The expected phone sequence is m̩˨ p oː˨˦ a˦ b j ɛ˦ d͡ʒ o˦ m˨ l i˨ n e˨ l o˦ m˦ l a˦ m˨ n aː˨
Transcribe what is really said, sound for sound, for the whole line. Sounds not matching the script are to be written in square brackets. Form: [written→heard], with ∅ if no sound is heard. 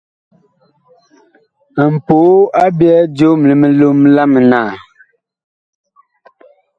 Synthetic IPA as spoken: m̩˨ p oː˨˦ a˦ b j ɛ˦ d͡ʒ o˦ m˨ l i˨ [n→m] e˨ l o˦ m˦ l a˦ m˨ n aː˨